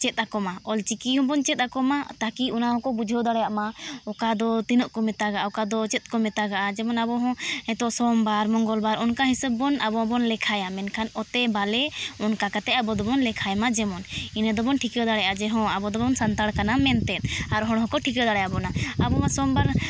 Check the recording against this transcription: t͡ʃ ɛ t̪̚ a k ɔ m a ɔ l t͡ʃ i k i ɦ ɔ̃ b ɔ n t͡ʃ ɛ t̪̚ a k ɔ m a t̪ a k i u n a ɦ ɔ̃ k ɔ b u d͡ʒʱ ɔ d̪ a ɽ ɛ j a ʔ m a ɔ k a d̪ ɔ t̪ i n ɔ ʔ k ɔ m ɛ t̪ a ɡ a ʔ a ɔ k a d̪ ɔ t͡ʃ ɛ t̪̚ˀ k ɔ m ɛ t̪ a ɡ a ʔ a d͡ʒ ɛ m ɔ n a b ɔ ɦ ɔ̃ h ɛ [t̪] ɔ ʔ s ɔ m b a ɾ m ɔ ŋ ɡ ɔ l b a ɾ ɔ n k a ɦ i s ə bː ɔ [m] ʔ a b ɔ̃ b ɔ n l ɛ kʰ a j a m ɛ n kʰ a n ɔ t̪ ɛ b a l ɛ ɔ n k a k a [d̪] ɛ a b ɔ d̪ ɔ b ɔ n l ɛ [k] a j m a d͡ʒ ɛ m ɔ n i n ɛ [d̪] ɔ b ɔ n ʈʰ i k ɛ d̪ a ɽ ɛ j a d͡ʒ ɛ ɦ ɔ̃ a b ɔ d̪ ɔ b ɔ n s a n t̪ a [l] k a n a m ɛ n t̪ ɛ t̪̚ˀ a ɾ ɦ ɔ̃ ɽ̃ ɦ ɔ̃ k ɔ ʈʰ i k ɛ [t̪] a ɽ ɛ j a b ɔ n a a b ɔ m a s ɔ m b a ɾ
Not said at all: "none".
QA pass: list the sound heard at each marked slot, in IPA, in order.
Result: t̪, n, t̪, kʰ, d̪, ɽ, d̪

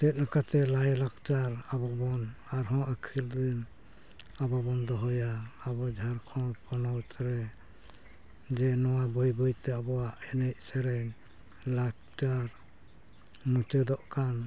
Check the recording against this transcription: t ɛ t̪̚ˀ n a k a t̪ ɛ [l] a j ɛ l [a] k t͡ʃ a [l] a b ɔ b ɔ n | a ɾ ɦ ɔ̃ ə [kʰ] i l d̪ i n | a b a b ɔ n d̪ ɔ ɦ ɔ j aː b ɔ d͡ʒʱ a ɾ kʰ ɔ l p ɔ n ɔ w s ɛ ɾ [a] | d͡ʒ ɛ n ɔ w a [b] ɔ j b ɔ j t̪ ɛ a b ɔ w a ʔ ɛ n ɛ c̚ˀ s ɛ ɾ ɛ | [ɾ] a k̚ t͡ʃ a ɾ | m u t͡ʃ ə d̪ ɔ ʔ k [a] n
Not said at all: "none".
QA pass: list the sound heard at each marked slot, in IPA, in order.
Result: l, a, ɾ, kʰ, ɛ, b, l, a

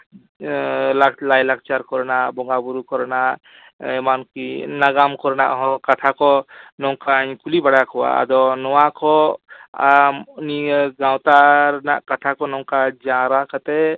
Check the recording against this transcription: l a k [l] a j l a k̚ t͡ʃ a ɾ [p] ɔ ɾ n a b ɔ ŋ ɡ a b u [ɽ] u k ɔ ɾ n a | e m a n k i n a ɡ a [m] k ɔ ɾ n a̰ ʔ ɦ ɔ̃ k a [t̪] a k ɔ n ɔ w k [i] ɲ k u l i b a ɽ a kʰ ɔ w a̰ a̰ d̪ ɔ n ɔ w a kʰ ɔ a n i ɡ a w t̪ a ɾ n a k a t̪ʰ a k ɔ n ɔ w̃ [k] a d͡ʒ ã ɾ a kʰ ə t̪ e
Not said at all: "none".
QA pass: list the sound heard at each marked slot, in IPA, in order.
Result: l, k, ɾ, m, t̪ʰ, a, k

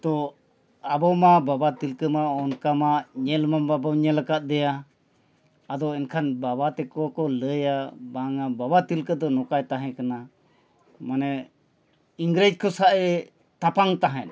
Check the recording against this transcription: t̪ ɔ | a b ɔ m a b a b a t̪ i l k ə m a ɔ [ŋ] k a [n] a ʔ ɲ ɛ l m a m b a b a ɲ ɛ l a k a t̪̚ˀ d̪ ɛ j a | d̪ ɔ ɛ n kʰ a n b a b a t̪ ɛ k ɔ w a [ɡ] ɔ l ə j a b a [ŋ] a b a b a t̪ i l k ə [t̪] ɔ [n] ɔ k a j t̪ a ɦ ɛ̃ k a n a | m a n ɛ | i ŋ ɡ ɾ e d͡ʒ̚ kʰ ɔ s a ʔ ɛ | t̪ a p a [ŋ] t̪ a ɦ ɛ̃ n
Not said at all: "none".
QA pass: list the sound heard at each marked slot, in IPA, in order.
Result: n, m, k, ŋ, d̪, n, ŋ

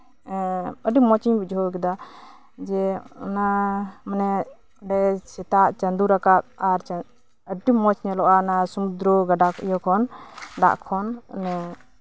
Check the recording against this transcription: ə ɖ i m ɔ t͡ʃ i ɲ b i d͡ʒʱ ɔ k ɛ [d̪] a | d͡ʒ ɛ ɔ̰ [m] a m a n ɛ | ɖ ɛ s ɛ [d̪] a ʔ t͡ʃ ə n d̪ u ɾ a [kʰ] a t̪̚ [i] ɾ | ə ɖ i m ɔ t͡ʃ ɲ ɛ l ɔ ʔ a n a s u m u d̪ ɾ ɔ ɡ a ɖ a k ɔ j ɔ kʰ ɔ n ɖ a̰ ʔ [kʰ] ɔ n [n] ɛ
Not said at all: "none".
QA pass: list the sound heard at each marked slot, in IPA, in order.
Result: d̪, n, t̪, k, a, kʰ, n

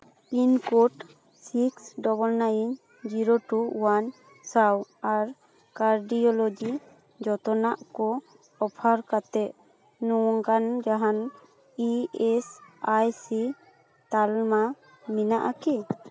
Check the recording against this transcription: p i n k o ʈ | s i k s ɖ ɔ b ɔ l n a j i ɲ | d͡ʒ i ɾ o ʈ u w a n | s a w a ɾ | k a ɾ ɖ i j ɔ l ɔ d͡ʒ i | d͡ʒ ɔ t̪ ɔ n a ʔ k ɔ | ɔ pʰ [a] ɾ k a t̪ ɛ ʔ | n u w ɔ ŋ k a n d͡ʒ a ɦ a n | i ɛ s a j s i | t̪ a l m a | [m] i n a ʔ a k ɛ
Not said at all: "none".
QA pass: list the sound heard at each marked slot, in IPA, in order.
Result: a, m

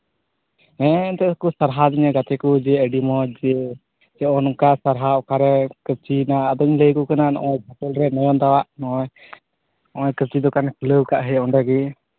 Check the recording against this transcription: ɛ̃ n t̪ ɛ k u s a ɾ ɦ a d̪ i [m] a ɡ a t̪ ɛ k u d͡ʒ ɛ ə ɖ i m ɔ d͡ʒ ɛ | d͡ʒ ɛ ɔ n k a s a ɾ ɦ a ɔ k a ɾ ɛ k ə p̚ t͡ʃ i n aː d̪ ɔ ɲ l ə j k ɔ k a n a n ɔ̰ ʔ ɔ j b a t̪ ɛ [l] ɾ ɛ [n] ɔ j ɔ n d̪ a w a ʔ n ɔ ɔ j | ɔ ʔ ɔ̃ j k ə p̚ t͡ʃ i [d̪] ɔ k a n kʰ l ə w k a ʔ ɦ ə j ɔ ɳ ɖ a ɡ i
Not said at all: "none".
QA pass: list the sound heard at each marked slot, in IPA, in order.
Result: ɲ, l, n, d̪

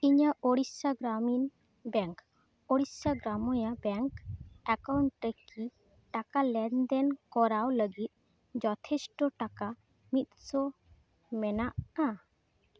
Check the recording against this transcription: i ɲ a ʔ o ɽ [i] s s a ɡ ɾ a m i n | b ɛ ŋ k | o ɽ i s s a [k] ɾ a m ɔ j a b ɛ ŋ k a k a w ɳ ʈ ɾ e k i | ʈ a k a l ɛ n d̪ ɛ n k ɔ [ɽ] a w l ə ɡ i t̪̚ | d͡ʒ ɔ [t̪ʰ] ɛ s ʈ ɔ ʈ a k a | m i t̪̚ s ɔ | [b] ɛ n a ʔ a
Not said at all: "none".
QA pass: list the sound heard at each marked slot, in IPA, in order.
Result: i, ɡ, ɾ, t̪ʰ, m

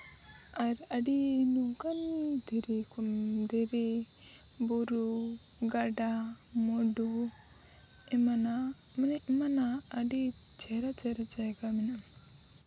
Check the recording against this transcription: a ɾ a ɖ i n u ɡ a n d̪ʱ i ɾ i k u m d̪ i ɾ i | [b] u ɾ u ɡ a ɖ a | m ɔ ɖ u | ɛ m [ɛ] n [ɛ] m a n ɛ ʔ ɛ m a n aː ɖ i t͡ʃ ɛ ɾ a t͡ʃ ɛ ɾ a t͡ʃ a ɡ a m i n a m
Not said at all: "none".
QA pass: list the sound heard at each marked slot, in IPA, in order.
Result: b, a, a

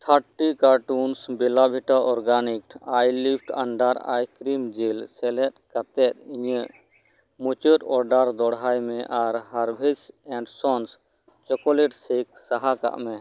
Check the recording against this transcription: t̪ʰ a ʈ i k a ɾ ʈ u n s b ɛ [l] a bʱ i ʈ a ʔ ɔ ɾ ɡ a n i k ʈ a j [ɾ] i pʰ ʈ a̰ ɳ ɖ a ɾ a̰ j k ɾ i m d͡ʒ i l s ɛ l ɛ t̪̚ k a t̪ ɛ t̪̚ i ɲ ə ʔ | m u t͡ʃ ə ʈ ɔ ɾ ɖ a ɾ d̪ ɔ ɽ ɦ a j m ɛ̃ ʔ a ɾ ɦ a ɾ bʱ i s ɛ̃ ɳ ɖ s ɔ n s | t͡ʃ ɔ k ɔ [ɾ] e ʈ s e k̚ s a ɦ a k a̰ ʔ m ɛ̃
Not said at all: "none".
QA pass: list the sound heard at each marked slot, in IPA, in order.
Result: l, l, l

